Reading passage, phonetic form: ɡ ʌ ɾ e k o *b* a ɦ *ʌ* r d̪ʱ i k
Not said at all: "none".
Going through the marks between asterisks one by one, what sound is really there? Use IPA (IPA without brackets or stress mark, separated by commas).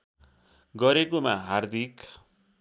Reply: m, a